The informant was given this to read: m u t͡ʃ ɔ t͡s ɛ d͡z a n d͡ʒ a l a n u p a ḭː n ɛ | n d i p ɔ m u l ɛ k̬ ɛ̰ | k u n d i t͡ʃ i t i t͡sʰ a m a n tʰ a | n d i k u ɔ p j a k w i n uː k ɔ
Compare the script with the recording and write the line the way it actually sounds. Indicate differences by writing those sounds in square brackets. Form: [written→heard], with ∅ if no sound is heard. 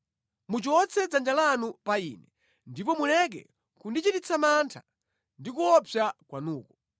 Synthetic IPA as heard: m u t͡ʃ ɔ t͡s ɛ d͡z a n d͡ʒ a l a n u p a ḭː n ɛ | n d i p ɔ m u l ɛ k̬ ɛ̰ | k u n d i t͡ʃ i t i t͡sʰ a m a n tʰ a | n d i k u ɔ p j a k w [i→a] n uː k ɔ